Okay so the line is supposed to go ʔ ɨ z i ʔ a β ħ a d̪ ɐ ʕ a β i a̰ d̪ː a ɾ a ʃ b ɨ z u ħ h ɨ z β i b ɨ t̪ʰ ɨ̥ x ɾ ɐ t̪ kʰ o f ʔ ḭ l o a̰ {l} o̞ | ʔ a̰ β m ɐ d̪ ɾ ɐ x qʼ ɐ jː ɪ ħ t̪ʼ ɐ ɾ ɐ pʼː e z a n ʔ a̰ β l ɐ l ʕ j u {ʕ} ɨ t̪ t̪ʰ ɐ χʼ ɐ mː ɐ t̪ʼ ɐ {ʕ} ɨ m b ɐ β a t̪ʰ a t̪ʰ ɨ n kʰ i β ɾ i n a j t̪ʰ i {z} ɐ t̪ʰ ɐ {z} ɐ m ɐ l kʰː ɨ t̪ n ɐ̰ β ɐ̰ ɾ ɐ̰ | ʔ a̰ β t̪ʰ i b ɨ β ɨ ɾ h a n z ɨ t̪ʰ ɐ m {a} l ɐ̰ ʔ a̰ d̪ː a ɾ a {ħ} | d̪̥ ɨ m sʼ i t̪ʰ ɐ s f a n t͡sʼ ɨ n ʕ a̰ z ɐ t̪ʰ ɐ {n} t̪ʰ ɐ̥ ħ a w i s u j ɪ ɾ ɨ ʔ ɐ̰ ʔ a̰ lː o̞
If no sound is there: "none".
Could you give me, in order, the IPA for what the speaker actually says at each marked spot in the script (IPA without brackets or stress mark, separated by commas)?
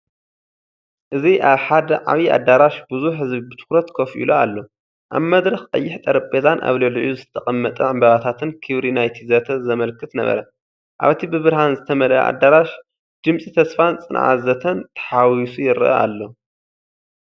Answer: lː, z, ʕ, z, z, ɐ, ʃ, n